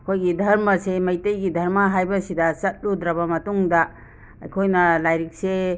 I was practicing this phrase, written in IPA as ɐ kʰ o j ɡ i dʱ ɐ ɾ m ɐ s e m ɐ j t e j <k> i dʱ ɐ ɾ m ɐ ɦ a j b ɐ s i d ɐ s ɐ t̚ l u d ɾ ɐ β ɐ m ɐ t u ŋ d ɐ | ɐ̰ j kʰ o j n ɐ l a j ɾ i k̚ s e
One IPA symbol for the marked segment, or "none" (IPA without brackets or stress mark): ɡ